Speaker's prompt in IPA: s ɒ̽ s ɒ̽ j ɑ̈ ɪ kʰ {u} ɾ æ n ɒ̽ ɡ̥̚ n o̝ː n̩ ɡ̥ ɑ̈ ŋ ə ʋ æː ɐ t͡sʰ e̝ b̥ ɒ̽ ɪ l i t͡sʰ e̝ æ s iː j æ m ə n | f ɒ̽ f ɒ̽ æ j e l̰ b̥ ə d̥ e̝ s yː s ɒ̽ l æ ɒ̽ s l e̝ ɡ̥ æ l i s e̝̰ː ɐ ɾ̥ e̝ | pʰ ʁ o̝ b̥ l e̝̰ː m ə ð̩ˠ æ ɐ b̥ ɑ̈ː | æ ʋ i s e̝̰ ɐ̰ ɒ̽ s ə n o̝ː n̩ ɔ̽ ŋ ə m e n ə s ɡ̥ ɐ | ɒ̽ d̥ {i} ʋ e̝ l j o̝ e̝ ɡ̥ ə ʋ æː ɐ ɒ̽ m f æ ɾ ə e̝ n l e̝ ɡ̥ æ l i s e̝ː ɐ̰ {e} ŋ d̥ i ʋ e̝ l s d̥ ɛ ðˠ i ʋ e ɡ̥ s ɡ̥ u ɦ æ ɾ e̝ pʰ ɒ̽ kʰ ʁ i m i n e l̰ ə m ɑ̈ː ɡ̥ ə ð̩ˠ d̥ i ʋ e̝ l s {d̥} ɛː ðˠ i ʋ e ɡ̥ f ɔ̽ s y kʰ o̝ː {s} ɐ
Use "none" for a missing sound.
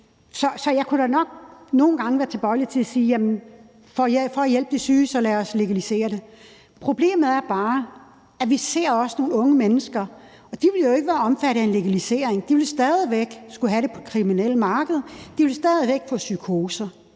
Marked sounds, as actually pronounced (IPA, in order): u, i, e, d̥, s

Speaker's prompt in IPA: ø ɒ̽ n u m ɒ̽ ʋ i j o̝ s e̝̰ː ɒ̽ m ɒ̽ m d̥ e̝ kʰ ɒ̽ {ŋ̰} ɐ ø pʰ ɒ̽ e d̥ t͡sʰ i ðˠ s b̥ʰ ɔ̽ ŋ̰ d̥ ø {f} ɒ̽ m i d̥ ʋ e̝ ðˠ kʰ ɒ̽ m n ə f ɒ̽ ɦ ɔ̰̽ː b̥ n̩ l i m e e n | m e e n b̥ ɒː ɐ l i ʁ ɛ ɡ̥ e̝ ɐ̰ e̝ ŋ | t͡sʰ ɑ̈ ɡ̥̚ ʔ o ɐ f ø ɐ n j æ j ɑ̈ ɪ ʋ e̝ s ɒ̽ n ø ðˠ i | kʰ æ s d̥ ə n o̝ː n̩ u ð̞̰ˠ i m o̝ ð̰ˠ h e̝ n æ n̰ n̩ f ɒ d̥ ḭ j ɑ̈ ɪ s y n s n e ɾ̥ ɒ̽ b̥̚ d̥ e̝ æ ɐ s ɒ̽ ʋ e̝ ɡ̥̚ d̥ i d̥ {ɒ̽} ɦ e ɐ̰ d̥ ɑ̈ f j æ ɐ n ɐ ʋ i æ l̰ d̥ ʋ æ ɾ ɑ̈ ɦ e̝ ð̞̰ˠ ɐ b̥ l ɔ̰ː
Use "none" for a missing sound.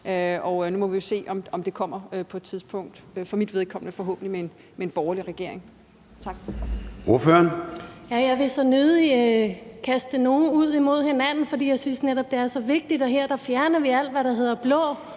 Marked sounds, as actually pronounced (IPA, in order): m̰, f, ɒ̽

